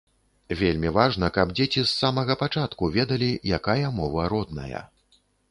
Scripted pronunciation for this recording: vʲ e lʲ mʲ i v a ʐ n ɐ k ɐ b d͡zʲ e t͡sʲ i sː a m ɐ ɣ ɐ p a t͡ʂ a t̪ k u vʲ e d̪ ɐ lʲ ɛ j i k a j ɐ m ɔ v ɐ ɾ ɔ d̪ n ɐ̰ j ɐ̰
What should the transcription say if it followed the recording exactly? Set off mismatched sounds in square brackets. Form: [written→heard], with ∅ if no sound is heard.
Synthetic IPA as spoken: vʲ e lʲ mʲ i v a ʐ n ɐ k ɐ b d͡zʲ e t͡sʲ i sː a m ɐ ɣ ɐ p a t͡ʂ a t̪ k u vʲ [e→ɛ] d̪ ɐ lʲ [ɛ→i] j [i→a] k a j ɐ m ɔ v ɐ ɾ ɔ d̪ n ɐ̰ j ɐ̰